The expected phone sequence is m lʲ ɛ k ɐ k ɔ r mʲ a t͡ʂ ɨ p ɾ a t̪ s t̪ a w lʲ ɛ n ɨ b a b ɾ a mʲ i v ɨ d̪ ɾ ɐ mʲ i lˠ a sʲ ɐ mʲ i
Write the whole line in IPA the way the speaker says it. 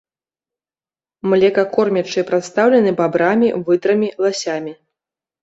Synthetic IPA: m lʲ ɛ k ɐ k ɔ r mʲ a t͡ʂ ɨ p ɾ a t̪ s t̪ a w lʲ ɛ n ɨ b a b ɾ a mʲ i v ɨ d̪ ɾ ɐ mʲ i lˠ a sʲ a mʲ i